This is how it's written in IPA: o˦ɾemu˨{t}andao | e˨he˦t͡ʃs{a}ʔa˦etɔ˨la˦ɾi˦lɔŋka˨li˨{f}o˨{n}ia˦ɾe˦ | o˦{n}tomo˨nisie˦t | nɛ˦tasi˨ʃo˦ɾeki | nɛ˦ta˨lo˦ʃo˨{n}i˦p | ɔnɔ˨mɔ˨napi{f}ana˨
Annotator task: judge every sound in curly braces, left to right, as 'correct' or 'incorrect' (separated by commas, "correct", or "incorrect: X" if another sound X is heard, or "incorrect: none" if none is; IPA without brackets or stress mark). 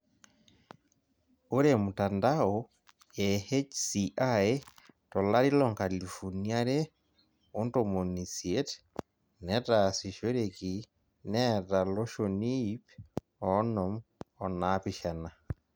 correct, incorrect: i, correct, correct, correct, correct, incorrect: ʃ